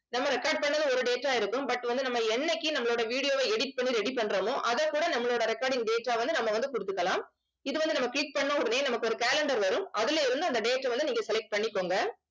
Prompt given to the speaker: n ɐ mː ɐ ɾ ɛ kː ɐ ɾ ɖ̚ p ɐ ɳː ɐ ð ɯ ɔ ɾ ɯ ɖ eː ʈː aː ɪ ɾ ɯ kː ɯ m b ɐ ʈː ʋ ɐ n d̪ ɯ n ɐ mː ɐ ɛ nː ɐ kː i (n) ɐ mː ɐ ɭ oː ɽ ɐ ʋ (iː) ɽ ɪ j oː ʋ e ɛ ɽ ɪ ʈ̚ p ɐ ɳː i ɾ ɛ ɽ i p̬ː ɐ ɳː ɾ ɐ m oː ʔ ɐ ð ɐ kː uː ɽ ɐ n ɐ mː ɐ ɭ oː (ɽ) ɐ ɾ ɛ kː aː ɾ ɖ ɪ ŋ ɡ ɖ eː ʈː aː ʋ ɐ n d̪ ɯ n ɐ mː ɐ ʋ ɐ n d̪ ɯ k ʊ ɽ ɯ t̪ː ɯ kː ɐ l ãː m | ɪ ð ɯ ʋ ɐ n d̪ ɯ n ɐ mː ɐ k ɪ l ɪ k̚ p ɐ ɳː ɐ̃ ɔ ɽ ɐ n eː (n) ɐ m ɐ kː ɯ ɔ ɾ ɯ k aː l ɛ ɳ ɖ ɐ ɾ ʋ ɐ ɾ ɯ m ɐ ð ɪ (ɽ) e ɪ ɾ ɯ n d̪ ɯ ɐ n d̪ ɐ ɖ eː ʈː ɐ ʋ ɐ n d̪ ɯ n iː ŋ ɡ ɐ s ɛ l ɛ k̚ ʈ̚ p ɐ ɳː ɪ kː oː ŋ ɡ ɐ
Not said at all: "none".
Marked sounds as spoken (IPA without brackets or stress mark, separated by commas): n, iː, ɽ, n, l